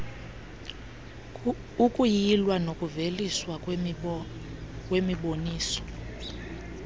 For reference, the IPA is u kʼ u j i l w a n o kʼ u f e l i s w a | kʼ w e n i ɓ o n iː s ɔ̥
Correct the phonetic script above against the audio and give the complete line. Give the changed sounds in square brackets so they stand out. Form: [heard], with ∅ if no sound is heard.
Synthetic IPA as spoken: u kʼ u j i l w a n o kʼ u [v] e l i s w a | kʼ w e [m] i ɓ o n iː s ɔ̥